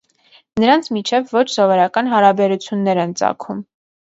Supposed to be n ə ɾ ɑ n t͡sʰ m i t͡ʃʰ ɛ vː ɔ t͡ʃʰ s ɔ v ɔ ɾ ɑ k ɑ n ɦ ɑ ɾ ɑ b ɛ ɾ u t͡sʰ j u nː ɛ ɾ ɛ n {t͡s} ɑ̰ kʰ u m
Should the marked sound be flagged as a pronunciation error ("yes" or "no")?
no